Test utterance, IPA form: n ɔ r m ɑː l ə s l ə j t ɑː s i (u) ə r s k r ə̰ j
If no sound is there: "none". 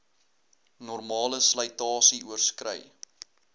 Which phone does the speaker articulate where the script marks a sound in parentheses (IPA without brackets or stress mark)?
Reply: u